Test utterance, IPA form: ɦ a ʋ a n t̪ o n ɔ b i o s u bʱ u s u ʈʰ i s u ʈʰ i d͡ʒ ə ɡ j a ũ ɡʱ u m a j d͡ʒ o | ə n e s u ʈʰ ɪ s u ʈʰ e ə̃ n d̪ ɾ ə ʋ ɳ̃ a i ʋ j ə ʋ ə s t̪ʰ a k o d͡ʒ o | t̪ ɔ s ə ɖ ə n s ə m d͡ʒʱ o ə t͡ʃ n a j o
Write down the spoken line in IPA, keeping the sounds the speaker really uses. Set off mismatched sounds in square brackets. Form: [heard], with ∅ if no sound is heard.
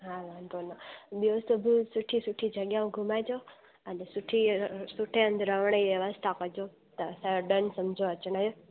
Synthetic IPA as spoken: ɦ a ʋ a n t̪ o n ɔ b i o s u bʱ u s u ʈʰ i s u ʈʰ i d͡ʒ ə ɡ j a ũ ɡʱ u m a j d͡ʒ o | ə n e s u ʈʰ [i] s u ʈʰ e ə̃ n d̪ ɾ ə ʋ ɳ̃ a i ʋ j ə ʋ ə s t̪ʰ a k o d͡ʒ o | t̪ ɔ s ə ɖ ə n s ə m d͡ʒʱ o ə t͡ʃ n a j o